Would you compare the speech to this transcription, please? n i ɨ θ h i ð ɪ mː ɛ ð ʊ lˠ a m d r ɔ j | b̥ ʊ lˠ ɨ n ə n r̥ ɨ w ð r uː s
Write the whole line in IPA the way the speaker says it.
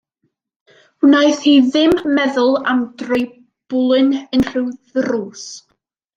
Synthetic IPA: n a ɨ θ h i ð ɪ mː ɛ ð ʊ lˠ a m d r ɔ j | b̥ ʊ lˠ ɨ n ə n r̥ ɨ w ð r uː s